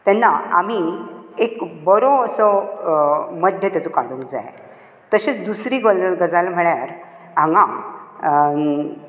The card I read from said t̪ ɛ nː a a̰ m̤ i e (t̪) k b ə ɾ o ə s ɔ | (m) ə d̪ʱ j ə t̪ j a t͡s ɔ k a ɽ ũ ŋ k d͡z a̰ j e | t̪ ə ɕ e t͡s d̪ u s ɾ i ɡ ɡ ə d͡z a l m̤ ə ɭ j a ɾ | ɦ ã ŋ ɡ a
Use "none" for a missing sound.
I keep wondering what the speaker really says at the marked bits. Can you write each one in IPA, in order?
none, m

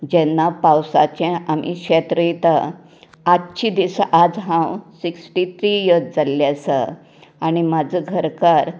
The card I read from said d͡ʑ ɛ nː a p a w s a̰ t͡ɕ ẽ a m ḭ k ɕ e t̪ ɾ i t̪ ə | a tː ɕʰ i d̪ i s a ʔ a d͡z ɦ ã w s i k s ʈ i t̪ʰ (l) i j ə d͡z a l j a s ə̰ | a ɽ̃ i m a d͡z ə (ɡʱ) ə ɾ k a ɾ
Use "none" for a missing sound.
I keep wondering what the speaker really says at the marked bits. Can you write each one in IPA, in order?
ɾ, ɡʱ

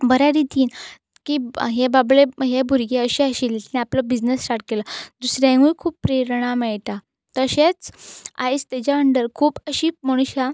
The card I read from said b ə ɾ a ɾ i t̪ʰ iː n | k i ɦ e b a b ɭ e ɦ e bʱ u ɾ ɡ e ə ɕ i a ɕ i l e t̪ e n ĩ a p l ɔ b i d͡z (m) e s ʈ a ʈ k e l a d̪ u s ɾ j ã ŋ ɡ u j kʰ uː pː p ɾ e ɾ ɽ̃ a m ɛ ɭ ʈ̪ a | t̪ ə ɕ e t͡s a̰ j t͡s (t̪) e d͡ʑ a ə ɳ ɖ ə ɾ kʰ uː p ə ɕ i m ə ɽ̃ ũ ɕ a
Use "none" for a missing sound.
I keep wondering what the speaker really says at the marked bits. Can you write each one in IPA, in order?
n, t̪

